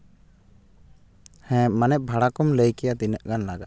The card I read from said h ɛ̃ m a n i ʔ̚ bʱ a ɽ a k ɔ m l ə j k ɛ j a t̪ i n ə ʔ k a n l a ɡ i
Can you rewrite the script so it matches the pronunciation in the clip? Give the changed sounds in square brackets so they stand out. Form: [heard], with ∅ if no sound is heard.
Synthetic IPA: h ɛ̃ m a n [ɛ] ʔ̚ bʱ a ɽ a k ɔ m l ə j k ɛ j a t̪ i n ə ʔ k a n l a ɡ [a]